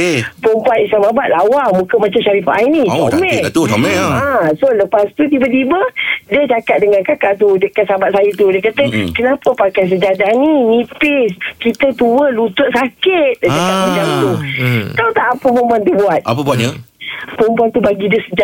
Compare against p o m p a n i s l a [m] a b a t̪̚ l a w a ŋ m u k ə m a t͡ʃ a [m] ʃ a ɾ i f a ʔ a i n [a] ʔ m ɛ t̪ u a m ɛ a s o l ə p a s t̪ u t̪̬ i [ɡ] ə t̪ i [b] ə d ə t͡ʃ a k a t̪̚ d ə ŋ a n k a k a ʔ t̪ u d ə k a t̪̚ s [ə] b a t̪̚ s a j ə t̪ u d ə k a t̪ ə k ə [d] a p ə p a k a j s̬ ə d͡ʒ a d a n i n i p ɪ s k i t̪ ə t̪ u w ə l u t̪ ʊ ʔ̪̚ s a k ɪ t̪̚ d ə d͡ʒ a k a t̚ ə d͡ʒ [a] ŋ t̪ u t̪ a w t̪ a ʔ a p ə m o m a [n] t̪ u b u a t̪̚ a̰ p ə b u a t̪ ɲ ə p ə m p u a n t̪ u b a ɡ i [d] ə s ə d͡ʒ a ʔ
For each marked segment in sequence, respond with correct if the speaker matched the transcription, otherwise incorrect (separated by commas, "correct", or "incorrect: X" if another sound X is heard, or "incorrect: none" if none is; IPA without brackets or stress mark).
correct, correct, incorrect: i, incorrect: b, correct, incorrect: a, incorrect: n, correct, correct, correct